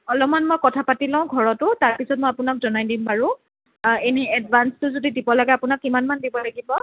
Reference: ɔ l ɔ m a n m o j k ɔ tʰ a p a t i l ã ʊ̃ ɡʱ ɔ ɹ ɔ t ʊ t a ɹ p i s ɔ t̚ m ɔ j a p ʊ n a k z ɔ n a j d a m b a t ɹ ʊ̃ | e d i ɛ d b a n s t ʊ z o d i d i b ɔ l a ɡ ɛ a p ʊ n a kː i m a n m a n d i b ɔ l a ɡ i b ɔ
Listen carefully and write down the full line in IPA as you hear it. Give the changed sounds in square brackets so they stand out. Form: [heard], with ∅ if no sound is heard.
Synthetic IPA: ɔ l ɔ m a n m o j k ɔ tʰ a p a t i l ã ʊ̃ ɡʱ ɔ ɹ ɔ t ʊ t a ɹ p i s ɔ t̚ m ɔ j a p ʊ n a k z ɔ n a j d [i] m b a [∅] ɹ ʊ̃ | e [n] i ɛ d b a n s t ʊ z o d i d i b ɔ l a ɡ ɛ a p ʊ n a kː i m a n m a n d i b ɔ l a ɡ i b ɔ